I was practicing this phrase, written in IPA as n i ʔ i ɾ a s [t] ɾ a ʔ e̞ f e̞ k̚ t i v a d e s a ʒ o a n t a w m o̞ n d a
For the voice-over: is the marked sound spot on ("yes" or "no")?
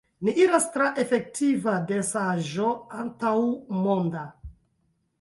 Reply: yes